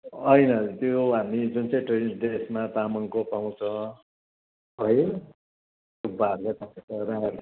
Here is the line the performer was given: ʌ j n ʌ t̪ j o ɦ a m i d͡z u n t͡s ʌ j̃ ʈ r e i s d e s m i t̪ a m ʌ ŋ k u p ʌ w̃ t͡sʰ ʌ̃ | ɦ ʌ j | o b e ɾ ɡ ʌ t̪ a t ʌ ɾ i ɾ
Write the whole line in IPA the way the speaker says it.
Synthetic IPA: ʌ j n ʌ t̪ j o ɦ a m i d͡z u n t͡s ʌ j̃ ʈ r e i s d e s m a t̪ a m ʌ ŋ k o p a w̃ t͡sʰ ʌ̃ | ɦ ʌ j | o b a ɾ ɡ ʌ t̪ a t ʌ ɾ a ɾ